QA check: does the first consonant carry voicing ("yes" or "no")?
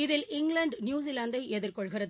yes